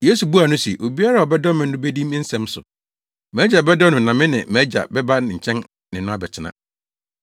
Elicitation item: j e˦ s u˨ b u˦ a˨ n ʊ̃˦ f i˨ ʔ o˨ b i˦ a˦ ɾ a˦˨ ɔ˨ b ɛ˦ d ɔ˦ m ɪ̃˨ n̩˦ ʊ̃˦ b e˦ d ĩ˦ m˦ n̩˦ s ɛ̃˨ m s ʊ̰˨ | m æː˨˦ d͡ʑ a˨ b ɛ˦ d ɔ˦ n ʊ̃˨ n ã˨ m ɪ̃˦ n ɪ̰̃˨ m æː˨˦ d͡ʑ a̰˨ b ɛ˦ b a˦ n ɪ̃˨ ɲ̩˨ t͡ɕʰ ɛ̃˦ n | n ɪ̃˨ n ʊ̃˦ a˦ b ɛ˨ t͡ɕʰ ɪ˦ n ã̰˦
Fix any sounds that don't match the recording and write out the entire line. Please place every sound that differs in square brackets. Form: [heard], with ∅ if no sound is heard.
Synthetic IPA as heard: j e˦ s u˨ b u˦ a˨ n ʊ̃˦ [s] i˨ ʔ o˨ b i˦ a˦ ɾ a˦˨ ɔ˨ b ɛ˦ d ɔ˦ m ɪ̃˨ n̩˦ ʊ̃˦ b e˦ d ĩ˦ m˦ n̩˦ s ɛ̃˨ m s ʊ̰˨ | m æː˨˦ d͡ʑ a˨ b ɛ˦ d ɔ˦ n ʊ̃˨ n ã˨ m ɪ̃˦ n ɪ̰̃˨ m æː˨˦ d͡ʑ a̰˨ b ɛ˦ b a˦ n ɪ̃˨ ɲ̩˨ t͡ɕʰ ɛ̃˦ n | n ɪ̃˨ n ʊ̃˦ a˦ b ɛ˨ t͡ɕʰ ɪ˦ n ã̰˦